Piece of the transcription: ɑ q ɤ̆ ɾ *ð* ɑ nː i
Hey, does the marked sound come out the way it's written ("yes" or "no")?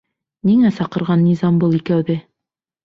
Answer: no